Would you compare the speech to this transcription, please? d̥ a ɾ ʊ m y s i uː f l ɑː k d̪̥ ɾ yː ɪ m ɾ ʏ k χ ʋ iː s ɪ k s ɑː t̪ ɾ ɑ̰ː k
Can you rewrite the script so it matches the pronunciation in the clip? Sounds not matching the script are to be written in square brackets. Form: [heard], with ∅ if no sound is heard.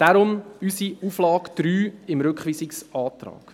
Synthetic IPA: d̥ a ɾ ʊ m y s i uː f l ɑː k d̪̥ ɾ yː ɪ m ɾ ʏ k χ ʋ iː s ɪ k s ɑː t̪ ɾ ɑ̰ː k